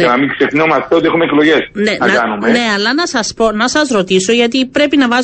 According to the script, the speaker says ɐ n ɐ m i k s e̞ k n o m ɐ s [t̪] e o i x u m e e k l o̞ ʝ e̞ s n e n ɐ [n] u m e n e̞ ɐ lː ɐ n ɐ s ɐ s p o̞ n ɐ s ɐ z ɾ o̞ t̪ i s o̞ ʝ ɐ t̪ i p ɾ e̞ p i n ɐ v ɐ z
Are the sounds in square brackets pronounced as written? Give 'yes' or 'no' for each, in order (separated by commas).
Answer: yes, yes